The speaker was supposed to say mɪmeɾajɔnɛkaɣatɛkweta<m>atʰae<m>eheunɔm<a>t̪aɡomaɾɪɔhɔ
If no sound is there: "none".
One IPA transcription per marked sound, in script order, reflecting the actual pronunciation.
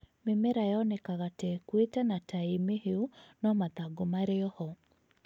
n, m, a

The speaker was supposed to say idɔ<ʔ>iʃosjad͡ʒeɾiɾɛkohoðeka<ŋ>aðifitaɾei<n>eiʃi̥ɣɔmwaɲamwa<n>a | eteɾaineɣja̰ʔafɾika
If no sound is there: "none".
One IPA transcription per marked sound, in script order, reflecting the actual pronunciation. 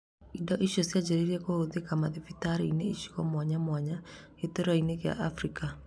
ʔ, m, n, ɲ

